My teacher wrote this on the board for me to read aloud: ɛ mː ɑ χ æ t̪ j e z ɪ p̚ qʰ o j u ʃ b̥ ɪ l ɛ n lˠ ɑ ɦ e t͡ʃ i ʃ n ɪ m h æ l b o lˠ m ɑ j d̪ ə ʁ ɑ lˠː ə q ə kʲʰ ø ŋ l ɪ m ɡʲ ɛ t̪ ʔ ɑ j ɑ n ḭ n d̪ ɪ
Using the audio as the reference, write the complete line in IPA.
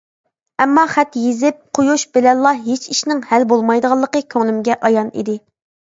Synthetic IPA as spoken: ɛ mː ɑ χ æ t̪ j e z ɪ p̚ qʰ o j u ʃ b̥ ɪ l ɛ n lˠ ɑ ɦ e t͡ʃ i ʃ n ɪ ŋ h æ l b o lˠ m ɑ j d̪ ə ʁ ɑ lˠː ə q ə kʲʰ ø ŋ l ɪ m ɡʲ ɛ ʔ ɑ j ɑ n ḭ d̪ ɪ

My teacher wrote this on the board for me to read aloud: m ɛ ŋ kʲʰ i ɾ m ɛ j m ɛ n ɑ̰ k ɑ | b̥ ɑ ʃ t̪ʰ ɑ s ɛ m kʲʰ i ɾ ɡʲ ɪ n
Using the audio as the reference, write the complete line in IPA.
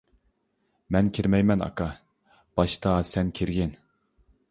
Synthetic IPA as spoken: m ɛ n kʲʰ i ɾ m ɛ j m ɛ n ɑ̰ k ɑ | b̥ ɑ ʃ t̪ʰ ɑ s ɛ n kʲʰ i ɾ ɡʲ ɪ n

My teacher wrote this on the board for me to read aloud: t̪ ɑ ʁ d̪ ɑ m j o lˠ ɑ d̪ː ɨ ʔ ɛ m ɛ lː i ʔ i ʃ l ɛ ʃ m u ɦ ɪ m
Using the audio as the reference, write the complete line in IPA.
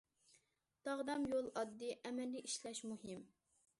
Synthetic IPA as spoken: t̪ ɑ ʁ d̪ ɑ m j o lˠ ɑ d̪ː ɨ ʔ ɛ m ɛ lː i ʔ i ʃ l ɛ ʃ m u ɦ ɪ m

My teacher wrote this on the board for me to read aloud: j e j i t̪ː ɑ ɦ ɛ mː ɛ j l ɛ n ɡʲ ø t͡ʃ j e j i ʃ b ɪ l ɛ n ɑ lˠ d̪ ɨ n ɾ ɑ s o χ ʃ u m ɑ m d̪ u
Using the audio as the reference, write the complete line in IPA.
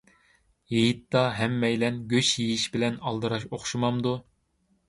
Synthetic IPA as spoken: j e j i t̪ː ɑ ɦ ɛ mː ɛ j l ɛ n ɡʲ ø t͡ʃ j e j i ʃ b ɪ l ɛ n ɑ lˠ d̪ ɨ ɾ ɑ ʃ o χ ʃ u m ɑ m d̪ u

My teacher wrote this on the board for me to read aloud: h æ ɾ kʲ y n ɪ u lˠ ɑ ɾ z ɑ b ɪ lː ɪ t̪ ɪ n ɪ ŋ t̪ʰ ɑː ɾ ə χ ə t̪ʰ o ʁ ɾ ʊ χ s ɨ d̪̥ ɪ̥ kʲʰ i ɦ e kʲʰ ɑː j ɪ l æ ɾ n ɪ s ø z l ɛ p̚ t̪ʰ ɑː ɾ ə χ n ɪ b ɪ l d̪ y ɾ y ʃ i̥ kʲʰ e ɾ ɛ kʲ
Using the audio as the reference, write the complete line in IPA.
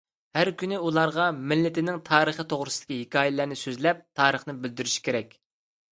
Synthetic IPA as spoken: h æ ɾ kʲ y n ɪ u lˠ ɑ ɾ ʁ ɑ m ɪ lː ɪ t̪ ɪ n ɪ ŋ t̪ʰ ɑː ɾ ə χ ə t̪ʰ o ʁ ɾ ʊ s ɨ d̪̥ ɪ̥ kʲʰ i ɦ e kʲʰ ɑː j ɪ l æ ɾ n ɪ s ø z l ɛ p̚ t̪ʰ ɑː ɾ ə χ n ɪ b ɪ l d̪ y ɾ y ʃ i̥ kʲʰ e ɾ ɛ kʲ

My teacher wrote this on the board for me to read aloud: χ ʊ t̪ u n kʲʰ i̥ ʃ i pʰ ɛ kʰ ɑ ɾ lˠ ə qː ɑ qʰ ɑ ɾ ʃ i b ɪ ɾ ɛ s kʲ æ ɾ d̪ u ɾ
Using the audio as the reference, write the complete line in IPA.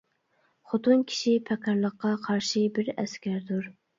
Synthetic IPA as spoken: χ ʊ t̪ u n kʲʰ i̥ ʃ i pʰ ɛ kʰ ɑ ɾ lˠ ə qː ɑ qʰ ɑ ɾ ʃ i b ɪ ɾ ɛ s kʲ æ ɾ d̪ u ɾ

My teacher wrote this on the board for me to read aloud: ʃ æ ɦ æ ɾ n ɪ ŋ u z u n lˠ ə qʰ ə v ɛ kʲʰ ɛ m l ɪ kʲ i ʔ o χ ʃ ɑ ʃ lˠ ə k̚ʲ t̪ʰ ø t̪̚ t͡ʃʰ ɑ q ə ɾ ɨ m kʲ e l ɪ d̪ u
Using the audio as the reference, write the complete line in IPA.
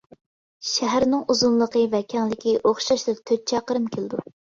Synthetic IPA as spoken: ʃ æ ɦ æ ɾ n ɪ ŋ u z u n lˠ ə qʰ ə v ɛ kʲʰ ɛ ŋ l ɪ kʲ i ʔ o χ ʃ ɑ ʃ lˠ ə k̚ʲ t̪ʰ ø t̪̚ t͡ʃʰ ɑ q ə ɾ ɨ m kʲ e l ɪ d̪ u

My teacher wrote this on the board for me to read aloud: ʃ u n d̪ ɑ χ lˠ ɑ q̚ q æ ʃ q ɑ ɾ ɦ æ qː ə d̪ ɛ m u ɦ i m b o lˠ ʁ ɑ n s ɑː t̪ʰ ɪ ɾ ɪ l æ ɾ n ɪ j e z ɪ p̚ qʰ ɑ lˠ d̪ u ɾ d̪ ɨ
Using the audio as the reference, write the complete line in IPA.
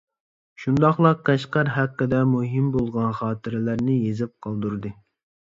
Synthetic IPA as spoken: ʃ u n d̪ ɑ χ lˠ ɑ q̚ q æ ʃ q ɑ ɾ ɦ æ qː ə d̪ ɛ m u ɦ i m b o lˠ ʁ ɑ n χ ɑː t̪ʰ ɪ ɾ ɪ l æ ɾ n ɪ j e z ɪ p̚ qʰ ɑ lˠ d̪ u ɾ d̪ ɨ

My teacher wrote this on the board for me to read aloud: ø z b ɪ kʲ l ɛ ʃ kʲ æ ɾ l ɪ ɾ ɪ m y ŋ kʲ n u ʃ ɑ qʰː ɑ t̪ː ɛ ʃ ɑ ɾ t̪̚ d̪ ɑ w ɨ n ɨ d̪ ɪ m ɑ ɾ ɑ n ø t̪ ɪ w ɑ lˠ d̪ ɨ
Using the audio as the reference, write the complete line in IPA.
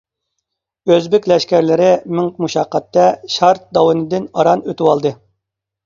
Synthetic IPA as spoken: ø z b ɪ kʲ l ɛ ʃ kʲ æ ɾ l ɪ ɾ ɪ m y ŋ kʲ m u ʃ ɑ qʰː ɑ t̪ː ɛ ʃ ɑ ɾ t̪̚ d̪ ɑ w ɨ n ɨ d̪ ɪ n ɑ ɾ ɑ n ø t̪ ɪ w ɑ lˠ d̪ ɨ

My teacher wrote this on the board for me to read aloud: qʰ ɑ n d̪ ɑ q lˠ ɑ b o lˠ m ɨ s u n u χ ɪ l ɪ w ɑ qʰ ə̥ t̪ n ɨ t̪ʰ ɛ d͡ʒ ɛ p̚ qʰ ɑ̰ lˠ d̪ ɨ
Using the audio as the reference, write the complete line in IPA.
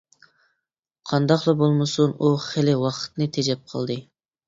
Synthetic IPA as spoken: qʰ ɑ n d̪ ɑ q lˠ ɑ b o lˠ m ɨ s u n u χ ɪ l ɪ w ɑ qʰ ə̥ t̪ n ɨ t̪ʰ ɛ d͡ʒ ɛ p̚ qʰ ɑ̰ lˠ d̪ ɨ

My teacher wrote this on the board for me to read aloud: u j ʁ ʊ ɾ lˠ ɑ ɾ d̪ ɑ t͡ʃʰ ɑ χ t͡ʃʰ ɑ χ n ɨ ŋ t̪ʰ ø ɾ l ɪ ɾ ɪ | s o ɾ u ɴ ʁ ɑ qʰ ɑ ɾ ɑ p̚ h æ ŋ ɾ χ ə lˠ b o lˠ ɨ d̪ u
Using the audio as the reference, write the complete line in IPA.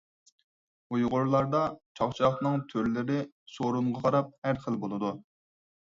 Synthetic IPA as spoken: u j ʁ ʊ ɾ lˠ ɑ ɾ d̪ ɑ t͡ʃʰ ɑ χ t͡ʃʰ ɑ χ n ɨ ŋ t̪ʰ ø ɾ l ɪ ɾ ɪ | s o ɾ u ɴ ʁ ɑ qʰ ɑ ɾ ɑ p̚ h æ ɾ χ ə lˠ b o lˠ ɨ d̪ u

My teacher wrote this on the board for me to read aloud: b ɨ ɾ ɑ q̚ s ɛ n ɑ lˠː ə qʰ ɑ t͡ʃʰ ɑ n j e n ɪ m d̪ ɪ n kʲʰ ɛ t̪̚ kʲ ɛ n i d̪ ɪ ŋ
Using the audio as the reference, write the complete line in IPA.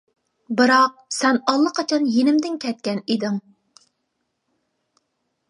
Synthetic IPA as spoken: b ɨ ɾ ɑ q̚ s ɛ n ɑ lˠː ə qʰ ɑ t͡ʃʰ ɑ n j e n ɪ m d̪ ɪ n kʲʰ ɛ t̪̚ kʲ ɛ n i d̪ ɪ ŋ

